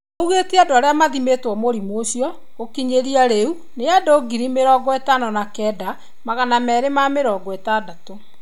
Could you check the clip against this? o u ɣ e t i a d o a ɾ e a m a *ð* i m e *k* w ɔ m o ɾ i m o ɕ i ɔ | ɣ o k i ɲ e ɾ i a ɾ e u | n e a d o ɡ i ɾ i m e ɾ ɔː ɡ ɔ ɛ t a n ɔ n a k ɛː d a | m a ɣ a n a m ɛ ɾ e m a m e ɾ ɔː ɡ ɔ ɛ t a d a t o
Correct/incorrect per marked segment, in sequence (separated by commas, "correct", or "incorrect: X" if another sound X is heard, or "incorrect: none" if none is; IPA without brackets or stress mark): correct, incorrect: t